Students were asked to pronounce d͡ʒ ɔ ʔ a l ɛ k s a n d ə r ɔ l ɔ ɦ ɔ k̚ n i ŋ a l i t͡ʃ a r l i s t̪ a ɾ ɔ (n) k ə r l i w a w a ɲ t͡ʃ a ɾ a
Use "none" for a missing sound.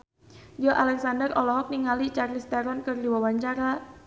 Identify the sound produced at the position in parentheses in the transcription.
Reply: n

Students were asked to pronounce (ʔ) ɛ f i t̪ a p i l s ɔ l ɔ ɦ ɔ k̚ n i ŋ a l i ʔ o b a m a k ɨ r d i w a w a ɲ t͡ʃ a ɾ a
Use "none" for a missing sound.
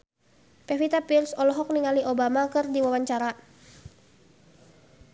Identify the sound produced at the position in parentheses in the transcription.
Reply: p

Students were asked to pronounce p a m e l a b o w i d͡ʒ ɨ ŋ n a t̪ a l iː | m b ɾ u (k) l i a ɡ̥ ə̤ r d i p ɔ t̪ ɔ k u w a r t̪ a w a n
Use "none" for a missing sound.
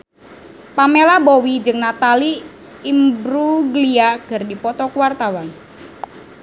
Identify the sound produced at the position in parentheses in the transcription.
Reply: ɡ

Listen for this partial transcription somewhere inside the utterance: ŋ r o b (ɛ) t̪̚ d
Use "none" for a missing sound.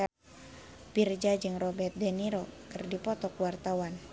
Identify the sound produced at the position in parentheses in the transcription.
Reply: ɛ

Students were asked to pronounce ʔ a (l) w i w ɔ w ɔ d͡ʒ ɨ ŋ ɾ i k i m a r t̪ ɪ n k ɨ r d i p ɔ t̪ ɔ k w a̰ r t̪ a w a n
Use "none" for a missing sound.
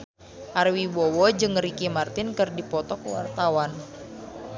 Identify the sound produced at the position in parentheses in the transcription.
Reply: r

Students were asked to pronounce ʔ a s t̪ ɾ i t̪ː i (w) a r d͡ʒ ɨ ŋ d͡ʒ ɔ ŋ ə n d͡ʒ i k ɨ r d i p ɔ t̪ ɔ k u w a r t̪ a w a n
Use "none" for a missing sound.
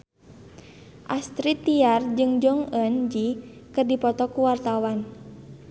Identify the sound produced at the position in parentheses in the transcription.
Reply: none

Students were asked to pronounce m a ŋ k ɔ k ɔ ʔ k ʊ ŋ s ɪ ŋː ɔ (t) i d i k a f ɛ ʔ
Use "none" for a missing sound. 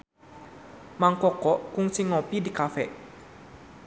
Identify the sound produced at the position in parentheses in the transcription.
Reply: p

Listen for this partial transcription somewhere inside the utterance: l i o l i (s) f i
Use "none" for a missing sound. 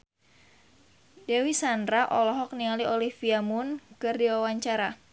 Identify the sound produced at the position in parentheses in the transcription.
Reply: h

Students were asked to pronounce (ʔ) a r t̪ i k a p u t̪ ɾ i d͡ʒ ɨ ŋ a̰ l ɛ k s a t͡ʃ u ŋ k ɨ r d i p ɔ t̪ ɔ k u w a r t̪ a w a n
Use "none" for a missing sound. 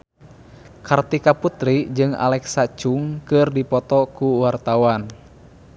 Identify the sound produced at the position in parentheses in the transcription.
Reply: k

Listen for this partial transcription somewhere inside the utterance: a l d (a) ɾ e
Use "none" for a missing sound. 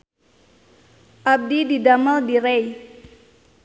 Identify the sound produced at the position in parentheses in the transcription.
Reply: i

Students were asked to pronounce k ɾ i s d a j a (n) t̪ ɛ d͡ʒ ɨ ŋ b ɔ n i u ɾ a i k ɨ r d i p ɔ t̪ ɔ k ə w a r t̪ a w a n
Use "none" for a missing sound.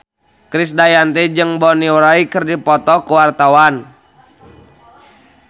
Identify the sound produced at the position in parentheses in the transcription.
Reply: n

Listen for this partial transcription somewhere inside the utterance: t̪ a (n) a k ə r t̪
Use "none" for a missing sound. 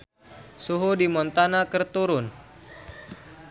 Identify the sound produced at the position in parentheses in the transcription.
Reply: n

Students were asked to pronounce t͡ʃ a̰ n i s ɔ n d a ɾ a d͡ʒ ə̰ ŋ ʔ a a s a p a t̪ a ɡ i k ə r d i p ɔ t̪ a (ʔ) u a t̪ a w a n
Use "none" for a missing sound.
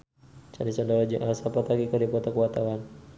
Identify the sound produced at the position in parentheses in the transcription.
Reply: k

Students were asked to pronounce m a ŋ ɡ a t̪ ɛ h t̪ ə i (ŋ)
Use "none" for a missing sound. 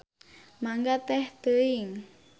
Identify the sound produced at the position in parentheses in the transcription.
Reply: ŋ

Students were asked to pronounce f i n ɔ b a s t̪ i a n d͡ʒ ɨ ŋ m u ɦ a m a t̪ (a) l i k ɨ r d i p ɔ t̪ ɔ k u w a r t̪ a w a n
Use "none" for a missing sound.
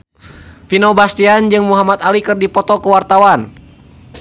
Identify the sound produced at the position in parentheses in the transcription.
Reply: a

